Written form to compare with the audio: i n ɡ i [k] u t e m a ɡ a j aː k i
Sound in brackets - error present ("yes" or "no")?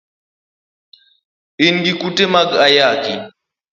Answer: no